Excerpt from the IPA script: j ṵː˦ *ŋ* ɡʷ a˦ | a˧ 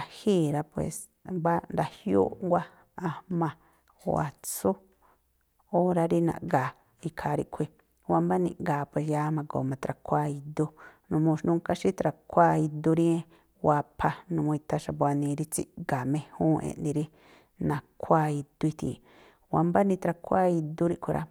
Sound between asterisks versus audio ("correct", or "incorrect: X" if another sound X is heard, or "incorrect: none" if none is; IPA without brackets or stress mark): correct